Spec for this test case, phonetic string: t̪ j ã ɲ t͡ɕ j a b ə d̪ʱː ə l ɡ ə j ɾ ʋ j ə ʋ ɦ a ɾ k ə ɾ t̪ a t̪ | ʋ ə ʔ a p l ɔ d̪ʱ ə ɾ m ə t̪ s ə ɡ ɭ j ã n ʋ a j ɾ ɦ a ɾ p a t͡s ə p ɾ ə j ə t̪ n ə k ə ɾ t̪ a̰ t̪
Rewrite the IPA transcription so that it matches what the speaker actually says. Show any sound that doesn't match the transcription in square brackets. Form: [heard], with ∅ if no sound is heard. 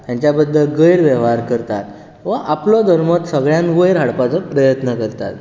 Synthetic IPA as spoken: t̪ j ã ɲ t͡ɕ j a b ə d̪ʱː ə l ɡ ə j ɾ ʋ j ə ʋ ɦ a ɾ k ə ɾ t̪ a t̪ | ʋ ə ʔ a p l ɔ d̪ʱ ə ɾ m ə t̪ s ə ɡ ɭ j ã n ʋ [ə] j ɾ ɦ a [ɽ] p a t͡s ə p ɾ ə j ə t̪ n ə k ə ɾ t̪ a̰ t̪